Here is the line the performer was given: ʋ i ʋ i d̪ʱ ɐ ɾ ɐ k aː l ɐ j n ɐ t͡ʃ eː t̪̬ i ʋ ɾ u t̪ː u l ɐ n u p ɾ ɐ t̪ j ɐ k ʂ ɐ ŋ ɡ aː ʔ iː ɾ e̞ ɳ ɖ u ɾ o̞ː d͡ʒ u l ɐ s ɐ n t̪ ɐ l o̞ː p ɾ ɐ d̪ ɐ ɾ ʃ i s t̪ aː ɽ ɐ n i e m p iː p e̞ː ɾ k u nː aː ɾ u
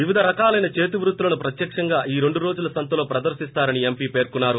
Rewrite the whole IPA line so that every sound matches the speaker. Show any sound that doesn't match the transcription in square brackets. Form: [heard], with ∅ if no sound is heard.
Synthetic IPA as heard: ʋ i ʋ i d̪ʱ ɐ ɾ ɐ k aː l ɐ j n ɐ t͡ʃ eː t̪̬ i ʋ ɾ u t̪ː u l ɐ n u p ɾ ɐ t̪ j ɐ k ʂ ɐ ŋ ɡ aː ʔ iː ɾ e̞ ɳ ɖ u ɾ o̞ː d͡ʒ u l ɐ s ɐ n t̪ ɐ l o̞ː p ɾ ɐ d̪ ɐ ɾ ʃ i s t̪ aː [ɾ] ɐ n i e m p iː p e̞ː ɾ k u nː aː ɾ u